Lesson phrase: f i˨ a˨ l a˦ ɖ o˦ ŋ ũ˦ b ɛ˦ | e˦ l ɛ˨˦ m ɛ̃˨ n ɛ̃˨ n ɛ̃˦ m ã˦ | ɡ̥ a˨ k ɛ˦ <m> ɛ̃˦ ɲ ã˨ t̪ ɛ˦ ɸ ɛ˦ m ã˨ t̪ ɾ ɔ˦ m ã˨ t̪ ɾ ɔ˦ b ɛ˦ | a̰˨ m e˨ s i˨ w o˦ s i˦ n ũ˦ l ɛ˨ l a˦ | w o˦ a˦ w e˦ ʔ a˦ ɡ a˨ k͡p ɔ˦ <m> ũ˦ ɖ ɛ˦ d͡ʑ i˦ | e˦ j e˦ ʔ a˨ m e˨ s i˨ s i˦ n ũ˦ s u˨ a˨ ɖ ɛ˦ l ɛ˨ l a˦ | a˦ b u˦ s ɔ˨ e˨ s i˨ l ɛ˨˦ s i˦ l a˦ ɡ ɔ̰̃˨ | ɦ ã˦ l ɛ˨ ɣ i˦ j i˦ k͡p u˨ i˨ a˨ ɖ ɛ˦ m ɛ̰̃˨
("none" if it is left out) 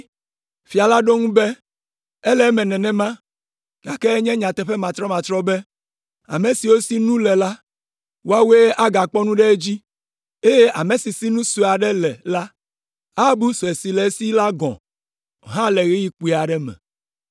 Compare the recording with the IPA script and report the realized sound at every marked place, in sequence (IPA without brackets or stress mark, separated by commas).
ɲ, n